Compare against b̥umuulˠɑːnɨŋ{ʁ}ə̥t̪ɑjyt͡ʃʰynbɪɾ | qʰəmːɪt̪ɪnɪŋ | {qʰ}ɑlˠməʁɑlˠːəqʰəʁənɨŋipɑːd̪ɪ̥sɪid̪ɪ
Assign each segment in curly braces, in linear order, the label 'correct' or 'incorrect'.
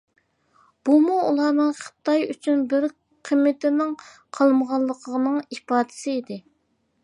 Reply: incorrect: χ, correct

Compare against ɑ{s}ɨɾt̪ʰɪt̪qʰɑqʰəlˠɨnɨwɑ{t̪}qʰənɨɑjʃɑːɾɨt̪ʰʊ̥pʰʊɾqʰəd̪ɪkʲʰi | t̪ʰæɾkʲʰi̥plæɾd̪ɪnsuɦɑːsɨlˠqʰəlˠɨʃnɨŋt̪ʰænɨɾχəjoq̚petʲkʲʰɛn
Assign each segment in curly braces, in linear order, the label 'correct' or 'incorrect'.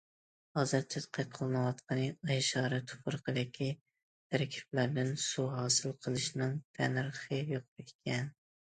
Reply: incorrect: z, correct

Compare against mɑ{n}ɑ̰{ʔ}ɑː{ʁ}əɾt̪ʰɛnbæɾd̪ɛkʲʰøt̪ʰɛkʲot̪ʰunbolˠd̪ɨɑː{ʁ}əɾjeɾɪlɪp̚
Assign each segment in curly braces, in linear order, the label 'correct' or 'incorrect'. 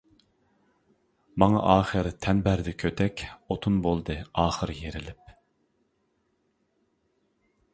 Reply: incorrect: ŋ, correct, incorrect: χ, incorrect: χ

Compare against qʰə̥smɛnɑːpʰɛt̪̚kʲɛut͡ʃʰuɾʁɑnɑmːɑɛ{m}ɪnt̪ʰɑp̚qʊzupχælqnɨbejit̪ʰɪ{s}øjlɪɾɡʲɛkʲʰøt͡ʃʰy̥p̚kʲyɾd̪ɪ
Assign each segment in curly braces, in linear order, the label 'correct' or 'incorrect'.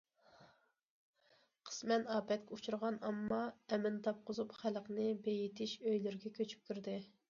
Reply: correct, incorrect: ʃ

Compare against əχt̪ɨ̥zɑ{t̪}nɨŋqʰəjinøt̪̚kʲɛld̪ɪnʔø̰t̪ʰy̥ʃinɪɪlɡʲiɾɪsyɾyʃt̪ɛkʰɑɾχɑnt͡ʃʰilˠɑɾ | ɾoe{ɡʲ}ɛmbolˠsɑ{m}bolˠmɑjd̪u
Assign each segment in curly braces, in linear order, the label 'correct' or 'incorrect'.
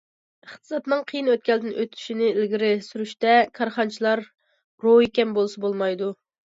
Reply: correct, incorrect: kʲ, incorrect: none

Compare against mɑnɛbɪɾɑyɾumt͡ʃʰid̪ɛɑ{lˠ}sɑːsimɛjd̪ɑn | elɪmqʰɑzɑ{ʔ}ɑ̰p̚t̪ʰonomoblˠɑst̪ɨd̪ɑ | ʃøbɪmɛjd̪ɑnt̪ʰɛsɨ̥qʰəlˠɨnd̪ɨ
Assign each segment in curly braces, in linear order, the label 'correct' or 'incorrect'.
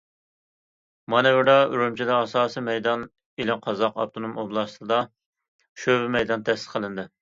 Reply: incorrect: none, incorrect: q

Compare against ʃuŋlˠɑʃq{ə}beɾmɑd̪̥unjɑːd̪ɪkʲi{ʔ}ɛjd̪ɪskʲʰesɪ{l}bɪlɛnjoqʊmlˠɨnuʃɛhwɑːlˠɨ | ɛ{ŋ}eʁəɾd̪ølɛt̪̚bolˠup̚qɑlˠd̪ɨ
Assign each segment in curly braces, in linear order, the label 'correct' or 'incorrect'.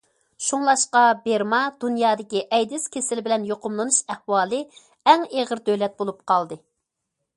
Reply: incorrect: ɑ, correct, correct, correct

